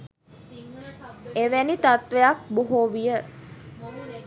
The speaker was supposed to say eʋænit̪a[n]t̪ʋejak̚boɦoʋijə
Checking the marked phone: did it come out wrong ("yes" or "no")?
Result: yes